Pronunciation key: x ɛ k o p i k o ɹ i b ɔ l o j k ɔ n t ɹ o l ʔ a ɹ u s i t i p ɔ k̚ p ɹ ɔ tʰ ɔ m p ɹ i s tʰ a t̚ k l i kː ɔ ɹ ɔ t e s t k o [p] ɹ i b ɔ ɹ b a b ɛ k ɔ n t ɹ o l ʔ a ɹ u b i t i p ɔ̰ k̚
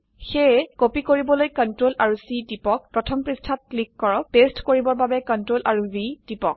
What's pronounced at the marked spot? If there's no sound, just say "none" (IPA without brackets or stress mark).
none